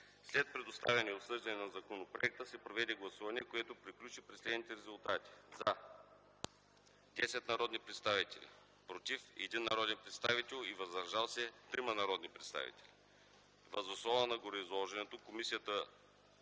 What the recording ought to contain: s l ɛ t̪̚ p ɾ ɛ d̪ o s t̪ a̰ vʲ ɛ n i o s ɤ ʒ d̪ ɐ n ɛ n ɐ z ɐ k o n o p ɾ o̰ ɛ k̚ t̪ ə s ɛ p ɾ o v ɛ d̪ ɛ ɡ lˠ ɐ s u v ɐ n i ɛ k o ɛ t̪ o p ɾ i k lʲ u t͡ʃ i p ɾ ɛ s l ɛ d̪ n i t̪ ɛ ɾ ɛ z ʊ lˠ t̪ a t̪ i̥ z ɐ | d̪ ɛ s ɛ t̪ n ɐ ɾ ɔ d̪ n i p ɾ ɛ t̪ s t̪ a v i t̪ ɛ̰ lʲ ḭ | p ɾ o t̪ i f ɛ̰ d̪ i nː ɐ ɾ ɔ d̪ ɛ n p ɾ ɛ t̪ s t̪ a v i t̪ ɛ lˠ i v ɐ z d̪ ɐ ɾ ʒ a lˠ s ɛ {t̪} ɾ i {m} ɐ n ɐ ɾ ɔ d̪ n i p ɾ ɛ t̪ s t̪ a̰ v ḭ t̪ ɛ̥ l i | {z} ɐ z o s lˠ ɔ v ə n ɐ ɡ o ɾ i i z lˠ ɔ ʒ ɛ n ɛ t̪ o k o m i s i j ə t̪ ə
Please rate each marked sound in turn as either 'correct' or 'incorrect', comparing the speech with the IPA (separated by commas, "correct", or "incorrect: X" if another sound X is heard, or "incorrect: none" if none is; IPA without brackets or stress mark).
correct, correct, incorrect: v